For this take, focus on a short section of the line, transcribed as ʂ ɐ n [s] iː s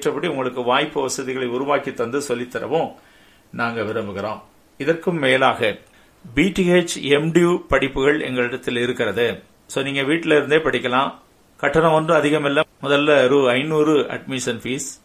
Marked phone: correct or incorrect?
incorrect